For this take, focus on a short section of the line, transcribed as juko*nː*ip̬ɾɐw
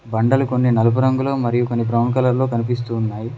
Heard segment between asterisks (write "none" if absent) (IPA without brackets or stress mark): nː